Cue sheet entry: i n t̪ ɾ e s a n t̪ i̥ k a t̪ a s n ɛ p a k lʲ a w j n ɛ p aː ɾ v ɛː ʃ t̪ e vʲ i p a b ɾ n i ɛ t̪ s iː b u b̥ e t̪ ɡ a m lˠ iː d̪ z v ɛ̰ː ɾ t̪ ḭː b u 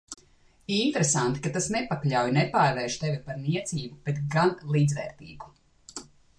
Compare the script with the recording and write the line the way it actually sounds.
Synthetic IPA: i n t̪ ɾ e s a n t̪ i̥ k a t̪ a s n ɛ p a k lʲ a w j n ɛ p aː ɾ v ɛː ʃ t̪ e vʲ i p a ɾ n i ɛ t̪ s iː b u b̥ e t̪ ɡ a n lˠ iː d̪ z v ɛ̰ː ɾ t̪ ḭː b u